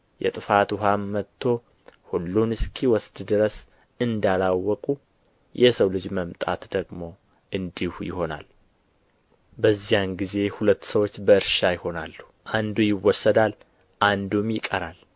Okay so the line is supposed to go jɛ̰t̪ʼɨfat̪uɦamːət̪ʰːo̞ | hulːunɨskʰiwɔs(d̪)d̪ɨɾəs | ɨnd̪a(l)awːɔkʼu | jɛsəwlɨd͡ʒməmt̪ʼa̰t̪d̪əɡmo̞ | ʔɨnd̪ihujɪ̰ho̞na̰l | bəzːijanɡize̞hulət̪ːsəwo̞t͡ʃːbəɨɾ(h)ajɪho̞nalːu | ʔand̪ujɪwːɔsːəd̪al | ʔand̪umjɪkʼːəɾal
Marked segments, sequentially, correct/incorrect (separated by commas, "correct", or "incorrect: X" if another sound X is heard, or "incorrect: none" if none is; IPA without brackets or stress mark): correct, correct, incorrect: ʃ